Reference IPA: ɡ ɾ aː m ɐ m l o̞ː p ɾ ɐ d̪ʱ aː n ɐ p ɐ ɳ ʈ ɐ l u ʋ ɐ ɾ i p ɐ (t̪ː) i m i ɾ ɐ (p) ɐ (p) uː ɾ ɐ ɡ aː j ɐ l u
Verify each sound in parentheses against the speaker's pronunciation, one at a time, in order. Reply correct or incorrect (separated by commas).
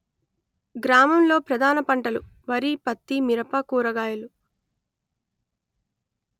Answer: correct, correct, incorrect